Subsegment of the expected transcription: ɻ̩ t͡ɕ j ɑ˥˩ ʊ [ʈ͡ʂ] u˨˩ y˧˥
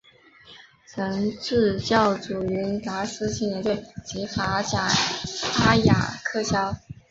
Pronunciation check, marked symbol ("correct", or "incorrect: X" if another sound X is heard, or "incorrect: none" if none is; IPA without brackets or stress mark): correct